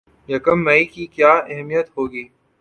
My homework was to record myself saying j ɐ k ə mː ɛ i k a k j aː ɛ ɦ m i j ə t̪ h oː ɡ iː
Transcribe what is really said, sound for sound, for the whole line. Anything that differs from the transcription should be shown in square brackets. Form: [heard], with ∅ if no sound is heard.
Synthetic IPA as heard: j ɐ k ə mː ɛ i k [i] k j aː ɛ ɦ m i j ə t̪ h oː ɡ iː